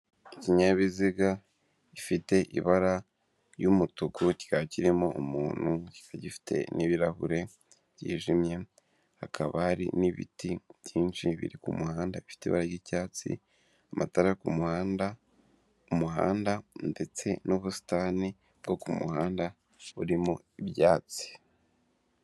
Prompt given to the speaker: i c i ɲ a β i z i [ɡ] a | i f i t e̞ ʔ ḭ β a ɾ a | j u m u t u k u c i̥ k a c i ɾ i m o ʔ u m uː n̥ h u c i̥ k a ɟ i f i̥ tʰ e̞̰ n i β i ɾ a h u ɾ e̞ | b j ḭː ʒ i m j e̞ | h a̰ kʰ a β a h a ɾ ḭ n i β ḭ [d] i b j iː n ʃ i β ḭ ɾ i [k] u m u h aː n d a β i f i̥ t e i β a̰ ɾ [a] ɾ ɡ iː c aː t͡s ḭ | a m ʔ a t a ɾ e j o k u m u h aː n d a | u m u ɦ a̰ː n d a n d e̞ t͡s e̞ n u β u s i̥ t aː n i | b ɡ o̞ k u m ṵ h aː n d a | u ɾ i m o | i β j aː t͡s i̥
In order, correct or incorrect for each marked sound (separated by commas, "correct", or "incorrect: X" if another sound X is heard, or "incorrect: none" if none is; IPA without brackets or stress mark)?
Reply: correct, incorrect: t, correct, correct